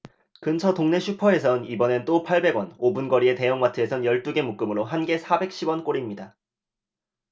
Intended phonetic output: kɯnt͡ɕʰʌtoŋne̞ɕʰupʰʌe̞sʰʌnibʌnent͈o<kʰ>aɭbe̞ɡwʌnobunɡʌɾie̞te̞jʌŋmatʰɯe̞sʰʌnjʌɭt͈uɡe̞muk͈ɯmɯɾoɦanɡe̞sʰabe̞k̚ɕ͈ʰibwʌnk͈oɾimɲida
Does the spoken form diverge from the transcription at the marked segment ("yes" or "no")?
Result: yes